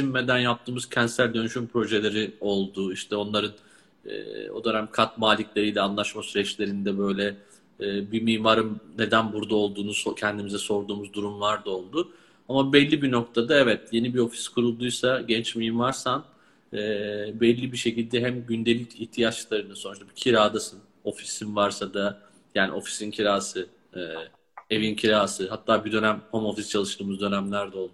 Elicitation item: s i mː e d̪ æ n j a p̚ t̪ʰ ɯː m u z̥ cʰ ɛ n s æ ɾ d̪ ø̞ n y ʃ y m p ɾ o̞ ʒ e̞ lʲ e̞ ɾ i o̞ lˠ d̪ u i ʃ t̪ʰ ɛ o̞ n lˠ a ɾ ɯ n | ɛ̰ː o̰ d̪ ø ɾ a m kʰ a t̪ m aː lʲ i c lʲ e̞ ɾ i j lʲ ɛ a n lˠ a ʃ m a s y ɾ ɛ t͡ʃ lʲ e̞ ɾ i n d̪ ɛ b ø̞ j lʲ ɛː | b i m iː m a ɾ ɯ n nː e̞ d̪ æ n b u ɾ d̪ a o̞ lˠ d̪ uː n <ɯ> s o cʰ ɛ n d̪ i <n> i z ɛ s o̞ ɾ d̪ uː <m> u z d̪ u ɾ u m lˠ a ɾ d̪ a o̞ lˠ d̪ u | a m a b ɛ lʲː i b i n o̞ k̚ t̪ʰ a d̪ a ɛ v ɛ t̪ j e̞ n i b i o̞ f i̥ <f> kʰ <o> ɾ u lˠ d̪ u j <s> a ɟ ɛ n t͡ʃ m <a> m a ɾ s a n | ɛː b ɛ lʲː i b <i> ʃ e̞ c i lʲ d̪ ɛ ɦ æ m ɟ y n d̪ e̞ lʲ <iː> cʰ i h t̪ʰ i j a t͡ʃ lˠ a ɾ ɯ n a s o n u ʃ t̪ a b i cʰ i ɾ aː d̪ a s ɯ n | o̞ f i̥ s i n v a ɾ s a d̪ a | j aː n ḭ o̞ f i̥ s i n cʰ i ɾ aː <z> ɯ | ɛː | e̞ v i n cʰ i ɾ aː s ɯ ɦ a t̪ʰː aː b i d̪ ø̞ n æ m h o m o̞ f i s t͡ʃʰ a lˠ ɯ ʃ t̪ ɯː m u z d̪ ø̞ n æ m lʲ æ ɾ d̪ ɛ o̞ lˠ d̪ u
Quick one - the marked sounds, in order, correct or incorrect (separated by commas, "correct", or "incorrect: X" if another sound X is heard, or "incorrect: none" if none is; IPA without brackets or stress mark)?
incorrect: u, incorrect: m, correct, incorrect: s, incorrect: u, correct, incorrect: i, correct, incorrect: i, incorrect: s